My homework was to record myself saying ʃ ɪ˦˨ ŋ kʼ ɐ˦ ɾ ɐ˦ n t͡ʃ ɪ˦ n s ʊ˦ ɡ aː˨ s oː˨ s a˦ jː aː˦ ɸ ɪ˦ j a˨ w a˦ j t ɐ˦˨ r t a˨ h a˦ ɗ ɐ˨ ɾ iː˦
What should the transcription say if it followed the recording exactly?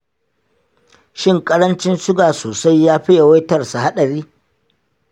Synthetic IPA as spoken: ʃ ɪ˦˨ ŋ kʼ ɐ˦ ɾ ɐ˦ n t͡ʃ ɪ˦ n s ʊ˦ ɡ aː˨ s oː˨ s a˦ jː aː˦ ɸ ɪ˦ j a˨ w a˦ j t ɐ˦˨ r s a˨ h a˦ ɗ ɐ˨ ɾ iː˦